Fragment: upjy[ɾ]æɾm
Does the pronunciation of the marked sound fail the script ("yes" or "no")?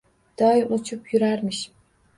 no